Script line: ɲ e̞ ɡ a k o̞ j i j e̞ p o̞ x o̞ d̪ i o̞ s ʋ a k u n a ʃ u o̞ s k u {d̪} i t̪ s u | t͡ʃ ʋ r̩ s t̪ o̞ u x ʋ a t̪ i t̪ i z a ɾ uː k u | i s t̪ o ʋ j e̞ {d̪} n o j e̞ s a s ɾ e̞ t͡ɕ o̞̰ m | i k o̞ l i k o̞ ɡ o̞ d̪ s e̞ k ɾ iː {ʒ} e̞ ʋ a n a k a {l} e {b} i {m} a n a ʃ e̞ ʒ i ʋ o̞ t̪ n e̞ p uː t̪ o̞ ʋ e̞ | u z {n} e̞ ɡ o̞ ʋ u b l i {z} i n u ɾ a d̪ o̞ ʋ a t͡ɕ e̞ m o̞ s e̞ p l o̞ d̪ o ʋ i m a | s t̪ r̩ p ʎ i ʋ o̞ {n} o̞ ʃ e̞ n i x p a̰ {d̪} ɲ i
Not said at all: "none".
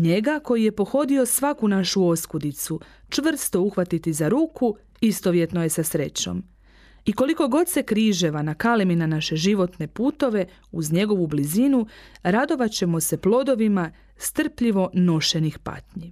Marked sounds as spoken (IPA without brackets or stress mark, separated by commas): d̪, t̪, ʒ, l, m, n, ɲ, z, n, t̪